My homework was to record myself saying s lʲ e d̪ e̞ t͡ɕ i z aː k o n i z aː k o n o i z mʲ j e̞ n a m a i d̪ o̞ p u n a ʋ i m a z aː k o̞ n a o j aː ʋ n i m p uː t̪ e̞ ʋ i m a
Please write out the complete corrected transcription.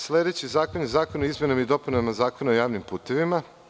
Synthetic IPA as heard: s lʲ e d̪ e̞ t͡ɕ i z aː k o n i z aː k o n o i z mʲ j e̞ n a m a i d̪ o̞ p u n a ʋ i m a z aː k o̞ n a o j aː ʋ n i m p uː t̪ e̞ ʋ i m a